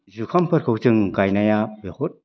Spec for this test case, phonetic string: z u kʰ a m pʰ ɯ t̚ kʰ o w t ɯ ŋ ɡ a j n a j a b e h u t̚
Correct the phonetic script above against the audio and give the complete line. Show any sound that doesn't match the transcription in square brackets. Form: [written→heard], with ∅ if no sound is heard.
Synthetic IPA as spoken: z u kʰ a m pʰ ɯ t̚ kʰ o w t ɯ ŋ ɡ a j n a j a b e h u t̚